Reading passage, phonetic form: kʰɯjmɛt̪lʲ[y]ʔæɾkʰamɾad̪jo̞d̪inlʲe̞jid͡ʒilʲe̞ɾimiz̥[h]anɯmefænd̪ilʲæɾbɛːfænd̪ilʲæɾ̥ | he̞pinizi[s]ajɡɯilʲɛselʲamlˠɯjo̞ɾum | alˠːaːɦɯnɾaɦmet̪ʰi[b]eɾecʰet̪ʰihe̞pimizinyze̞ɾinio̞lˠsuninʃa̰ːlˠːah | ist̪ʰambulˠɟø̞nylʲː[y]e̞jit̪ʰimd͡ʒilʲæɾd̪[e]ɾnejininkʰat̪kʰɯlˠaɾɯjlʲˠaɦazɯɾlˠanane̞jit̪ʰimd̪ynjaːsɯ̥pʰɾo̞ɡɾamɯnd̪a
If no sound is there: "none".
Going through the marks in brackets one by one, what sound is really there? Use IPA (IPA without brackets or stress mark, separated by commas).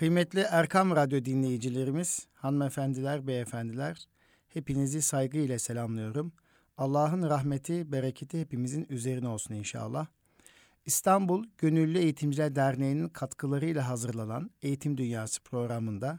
i, h, s, b, y, æ